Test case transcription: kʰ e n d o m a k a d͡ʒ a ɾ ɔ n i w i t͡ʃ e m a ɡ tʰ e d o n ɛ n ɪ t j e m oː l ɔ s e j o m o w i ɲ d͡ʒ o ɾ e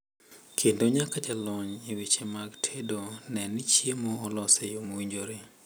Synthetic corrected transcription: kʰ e n d o ɲ a k a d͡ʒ a l ɔ ɲ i w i t͡ʃ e m a ɡ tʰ e d o n ɛ n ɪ t͡ʃ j e m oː l ɔ s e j o m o w i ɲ d͡ʒ o ɾ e